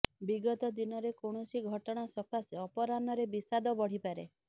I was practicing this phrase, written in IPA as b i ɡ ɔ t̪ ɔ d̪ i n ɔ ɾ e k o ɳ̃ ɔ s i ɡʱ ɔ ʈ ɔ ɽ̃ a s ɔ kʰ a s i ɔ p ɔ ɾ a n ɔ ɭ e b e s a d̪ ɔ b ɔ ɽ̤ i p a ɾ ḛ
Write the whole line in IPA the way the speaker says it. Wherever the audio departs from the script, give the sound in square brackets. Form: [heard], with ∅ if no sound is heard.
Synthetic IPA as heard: b i ɡ ɔ t̪ ɔ d̪ i n ɔ ɾ e k o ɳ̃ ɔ s i ɡʱ ɔ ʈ ɔ ɽ̃ a s ɔ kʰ a s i ɔ p ɔ ɾ a n ɔ [ɾ] e b [i] s a d̪ ɔ b ɔ ɽ̤ i p a ɾ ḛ